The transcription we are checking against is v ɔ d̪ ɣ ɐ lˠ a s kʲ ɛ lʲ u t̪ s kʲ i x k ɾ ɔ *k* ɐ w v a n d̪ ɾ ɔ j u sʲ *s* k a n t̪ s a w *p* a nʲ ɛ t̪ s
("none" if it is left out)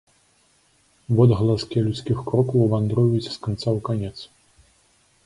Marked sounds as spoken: k, s, k

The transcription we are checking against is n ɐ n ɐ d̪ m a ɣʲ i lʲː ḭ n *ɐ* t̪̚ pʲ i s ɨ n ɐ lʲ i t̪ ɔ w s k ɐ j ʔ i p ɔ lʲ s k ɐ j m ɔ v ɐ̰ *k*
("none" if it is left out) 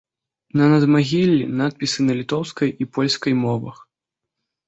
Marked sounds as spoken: a, x

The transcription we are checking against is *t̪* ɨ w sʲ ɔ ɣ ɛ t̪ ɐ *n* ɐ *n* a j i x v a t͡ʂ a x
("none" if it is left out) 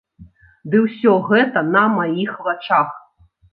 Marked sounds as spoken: d̪, n, m

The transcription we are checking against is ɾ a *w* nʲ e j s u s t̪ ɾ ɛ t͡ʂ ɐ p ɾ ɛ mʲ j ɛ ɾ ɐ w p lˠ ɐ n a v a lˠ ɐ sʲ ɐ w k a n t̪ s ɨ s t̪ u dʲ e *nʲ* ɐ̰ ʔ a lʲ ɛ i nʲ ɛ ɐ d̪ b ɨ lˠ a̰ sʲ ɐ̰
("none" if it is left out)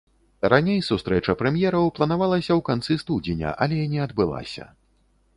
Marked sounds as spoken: none, nʲ

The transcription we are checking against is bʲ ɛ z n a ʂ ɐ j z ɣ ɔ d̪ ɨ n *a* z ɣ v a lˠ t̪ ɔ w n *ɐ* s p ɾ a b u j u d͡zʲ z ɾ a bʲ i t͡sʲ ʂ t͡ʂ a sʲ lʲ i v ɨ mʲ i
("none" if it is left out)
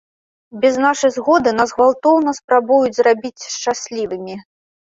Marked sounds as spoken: a, ɐ

